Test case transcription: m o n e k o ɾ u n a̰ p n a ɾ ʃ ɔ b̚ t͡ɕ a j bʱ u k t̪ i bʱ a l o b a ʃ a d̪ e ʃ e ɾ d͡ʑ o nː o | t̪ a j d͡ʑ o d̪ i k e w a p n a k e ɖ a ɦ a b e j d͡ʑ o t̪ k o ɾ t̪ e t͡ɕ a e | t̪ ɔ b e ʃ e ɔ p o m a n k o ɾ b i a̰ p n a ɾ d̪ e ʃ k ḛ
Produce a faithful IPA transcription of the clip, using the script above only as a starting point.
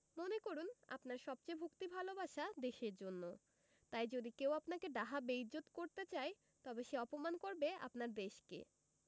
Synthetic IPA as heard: m o n e k o ɾ u n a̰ p n a ɾ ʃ ɔ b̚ t͡ɕ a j bʱ u k t̪ i bʱ a l o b a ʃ a d̪ e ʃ e ɾ d͡ʑ o nː o | t̪ a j d͡ʑ o d̪ i k e w a p n a k e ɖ a ɦ a b e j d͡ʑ o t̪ k o ɾ t̪ e t͡ɕ a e | t̪ ɔ b e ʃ e ɔ p o m a n k o ɾ b e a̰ p n a ɾ d̪ e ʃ k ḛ